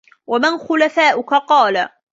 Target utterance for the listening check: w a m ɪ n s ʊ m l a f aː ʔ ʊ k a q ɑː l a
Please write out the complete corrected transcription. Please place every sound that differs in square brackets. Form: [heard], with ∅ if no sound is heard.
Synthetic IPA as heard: w a m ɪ n [x] ʊ [∅] l a f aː ʔ ʊ k a q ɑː l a